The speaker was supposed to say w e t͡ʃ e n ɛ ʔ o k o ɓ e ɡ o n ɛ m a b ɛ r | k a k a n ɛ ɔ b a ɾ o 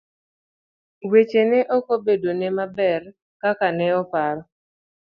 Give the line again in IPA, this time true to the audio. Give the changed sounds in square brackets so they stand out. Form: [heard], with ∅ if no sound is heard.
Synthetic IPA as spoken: w e t͡ʃ e n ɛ ʔ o k o [b] e [d] o n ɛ m a b ɛ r | k a k a n ɛ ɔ [p] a ɾ [ɔ]